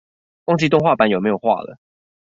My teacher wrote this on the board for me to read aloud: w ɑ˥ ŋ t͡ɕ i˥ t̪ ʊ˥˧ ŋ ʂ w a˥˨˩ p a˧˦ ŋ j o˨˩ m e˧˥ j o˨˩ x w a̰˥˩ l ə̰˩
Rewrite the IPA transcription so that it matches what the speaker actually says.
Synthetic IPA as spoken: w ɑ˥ ŋ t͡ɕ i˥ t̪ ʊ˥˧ ŋ x w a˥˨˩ p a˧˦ n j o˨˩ m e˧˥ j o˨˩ x w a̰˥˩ l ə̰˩

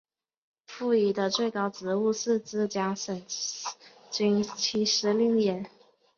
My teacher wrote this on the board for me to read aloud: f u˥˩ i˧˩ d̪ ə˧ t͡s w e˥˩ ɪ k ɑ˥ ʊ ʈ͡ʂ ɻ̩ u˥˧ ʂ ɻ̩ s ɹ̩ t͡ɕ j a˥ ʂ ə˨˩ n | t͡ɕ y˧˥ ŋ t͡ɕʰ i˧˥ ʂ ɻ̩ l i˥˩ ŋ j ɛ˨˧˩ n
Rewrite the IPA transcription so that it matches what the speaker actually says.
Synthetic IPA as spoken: f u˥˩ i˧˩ d̪ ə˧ t͡s w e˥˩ ɪ k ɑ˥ ʊ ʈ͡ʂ ɻ̩ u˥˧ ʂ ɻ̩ t͡s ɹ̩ t͡ɕ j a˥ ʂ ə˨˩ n | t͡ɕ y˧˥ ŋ t͡ɕʰ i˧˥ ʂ ɻ̩ l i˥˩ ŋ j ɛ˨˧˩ n

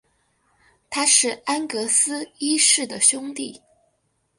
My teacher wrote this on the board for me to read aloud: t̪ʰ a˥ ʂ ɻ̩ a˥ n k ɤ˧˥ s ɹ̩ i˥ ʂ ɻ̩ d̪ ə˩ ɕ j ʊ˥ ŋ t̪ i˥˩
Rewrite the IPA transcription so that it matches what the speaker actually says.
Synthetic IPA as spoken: t̪ʰ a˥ ʂ ɻ̩ a˥ n k ɤ˧˥ s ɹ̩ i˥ ʂ ɻ̩ d̪ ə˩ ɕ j ʊ˥ ŋ t̪ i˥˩

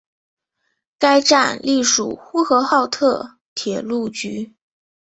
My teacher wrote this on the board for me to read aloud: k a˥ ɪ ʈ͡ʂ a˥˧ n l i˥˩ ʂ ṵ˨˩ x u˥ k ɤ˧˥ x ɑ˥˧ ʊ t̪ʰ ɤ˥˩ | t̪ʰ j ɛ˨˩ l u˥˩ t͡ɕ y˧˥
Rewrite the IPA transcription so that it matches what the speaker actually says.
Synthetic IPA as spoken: k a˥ ɪ ʈ͡ʂ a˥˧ n l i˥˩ ʂ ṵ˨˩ x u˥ x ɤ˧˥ x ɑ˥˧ ʊ t̪ʰ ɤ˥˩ | t̪ʰ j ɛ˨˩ l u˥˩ t͡ɕ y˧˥

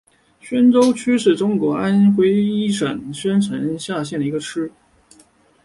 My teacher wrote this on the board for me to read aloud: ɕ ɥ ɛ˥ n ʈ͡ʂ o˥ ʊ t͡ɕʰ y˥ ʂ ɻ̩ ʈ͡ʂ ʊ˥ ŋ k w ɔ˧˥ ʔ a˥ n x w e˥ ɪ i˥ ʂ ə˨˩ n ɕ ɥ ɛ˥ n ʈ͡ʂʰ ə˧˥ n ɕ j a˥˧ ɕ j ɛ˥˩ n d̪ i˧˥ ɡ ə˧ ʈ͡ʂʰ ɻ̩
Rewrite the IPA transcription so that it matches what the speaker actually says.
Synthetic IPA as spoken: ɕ ɥ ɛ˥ n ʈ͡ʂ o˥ ʊ t͡ɕʰ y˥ ʂ ɻ̩ ʈ͡ʂ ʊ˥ ŋ k w ɔ˧˥ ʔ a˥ n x w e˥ ɪ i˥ ʂ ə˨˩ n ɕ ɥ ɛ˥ n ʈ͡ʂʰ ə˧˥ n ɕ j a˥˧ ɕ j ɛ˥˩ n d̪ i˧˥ ɡ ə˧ ʈ͡ʂʰ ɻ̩

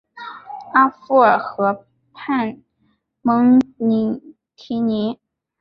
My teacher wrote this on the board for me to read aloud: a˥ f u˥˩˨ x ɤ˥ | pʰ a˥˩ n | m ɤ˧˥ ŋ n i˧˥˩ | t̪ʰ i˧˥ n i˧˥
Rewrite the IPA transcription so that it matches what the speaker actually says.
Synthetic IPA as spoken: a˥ f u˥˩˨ x ɤ˧˥ | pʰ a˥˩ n | m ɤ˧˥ ŋ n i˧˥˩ | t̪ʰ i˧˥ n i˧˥

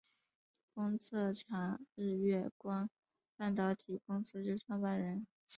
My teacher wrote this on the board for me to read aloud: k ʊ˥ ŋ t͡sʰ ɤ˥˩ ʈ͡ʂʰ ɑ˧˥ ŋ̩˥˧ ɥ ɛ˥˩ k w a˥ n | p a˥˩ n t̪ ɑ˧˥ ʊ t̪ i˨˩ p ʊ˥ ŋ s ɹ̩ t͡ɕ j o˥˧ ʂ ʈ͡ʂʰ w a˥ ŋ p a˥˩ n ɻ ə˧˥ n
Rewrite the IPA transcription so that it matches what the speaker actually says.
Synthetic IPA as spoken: k ʊ˥ ŋ t͡sʰ ɤ˥˩ ʈ͡ʂʰ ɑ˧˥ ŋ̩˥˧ ɥ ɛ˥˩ k w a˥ n | p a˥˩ n t̪ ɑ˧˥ ʊ t̪ʰ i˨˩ k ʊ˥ ŋ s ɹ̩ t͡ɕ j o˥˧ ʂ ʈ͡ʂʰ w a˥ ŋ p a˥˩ n ɻ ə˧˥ n

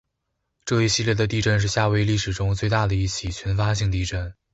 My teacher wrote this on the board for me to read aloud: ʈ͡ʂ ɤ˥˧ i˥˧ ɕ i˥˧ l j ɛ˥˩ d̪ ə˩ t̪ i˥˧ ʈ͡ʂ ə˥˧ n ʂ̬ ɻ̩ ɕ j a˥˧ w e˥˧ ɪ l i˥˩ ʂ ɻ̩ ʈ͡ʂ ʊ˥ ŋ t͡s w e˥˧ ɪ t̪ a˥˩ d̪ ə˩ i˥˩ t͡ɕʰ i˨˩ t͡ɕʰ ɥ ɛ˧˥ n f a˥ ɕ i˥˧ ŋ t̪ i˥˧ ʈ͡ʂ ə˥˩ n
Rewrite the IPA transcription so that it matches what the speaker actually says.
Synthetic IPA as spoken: ʈ͡ʂ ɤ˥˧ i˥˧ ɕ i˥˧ l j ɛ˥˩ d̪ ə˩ t̪ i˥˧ ʈ͡ʂ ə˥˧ n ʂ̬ ɻ̩ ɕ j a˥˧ w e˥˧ ɪ l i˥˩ ʂ ɻ̩ ʈ͡ʂ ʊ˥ ŋ t͡s w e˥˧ ɪ t̪ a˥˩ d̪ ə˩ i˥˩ t͡ɕʰ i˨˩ t͡ɕʰ ɥ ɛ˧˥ n f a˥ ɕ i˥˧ ŋ t̪ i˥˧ ʈ͡ʂ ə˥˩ n

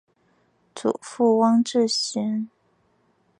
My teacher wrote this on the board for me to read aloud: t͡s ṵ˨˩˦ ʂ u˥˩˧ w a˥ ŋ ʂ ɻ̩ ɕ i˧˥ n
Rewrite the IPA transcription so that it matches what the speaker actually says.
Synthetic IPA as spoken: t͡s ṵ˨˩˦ f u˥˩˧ w ɑ˥ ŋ ʈ͡ʂ ɻ̩ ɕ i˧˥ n

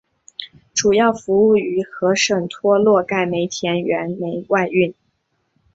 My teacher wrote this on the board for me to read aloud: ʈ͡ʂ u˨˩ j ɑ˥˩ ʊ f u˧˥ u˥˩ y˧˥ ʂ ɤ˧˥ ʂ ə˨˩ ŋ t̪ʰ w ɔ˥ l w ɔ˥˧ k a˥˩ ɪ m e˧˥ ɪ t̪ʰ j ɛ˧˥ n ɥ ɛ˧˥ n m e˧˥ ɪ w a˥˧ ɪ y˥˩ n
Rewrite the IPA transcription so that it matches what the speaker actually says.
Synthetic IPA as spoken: ʈ͡ʂ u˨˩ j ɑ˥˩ ʊ f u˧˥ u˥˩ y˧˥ x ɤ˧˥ ʂ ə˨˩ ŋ t̪ʰ w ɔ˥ l w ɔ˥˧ k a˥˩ ɪ m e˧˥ ɪ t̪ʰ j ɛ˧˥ n ɥ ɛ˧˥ n m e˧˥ ɪ w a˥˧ ɪ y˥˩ n

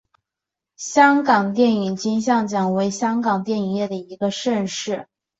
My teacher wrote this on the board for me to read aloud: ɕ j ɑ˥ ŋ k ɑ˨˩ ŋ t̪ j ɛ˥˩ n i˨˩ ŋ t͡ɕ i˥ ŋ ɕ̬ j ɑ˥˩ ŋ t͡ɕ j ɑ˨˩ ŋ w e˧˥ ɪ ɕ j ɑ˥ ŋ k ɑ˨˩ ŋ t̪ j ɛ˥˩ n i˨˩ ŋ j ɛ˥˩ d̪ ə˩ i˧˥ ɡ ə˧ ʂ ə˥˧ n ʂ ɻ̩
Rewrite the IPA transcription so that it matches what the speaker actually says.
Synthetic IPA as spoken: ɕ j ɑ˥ ŋ k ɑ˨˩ ŋ t̪ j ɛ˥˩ n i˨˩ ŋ t͡ɕ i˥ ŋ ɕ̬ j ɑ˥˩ ŋ t͡ɕ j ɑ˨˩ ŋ w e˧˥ ɪ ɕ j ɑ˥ ŋ k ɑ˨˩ ŋ t̪ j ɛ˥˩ n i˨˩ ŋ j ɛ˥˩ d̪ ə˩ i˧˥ ɡ ə˧ ʂ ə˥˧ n ʂ ɻ̩

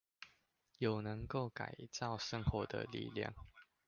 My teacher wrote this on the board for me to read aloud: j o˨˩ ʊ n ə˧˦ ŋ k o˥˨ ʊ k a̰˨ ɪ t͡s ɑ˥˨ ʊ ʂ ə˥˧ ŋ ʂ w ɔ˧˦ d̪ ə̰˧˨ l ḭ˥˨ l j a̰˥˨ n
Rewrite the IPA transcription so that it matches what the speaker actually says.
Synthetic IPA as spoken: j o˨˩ ʊ n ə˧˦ ŋ k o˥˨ ʊ k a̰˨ ɪ t͡s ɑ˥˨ ʊ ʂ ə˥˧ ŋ x w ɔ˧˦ d̪ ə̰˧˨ l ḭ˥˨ l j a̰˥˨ ŋ

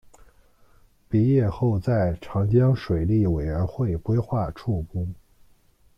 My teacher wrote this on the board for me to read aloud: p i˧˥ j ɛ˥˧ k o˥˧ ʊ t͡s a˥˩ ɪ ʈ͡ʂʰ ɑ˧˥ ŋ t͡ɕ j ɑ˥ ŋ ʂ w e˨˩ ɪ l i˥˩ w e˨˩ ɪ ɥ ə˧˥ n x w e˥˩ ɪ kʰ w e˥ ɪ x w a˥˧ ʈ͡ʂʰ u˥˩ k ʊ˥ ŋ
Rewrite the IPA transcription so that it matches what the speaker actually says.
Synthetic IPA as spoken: p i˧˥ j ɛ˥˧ x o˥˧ ʊ t͡s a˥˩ ɪ ʈ͡ʂʰ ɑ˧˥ ŋ t͡ɕ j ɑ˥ ŋ ʂ w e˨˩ ɪ l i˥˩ w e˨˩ ɪ ɥ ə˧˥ n x w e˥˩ ɪ k w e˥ ɪ x w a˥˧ ʈ͡ʂʰ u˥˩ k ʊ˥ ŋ

